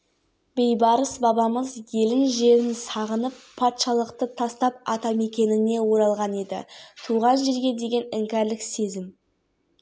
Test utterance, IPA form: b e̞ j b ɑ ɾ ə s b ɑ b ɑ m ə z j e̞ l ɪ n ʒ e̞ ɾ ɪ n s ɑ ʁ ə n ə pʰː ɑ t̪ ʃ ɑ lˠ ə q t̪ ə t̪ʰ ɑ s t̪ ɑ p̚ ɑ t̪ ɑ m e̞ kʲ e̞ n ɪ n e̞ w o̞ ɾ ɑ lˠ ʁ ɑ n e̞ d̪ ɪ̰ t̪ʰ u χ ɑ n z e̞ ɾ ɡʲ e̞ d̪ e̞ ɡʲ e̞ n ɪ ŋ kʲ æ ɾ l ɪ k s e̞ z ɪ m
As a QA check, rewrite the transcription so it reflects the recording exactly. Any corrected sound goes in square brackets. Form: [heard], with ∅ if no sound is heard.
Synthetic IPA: b e̞ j b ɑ ɾ ə s b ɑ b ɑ m ə z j e̞ l ɪ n ʒ e̞ ɾ ɪ n s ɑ ʁ ə n ə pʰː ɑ t̪ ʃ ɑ lˠ ə q t̪ ə t̪ʰ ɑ s t̪ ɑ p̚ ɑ t̪ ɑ m e̞ kʲ e̞ n ɪ n e̞ w o̞ ɾ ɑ lˠ ʁ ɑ n e̞ d̪ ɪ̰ t̪ʰ u [ʁ] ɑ n [ʒ] e̞ ɾ ɡʲ e̞ d̪ e̞ ɡʲ e̞ n ɪ ŋ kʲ æ ɾ l ɪ k s e̞ z ɪ m